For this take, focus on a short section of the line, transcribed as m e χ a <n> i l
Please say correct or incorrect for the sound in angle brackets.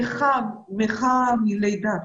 incorrect